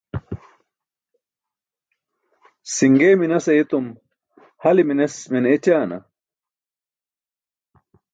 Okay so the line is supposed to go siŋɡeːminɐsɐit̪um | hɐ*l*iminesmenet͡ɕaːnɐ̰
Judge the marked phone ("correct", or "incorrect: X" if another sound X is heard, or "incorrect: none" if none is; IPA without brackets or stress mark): correct